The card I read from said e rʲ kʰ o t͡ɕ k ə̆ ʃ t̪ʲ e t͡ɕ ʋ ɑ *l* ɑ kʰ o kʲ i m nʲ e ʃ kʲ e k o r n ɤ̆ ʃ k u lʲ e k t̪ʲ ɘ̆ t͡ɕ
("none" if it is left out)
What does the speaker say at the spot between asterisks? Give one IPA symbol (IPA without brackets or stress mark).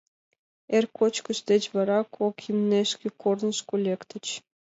ɾ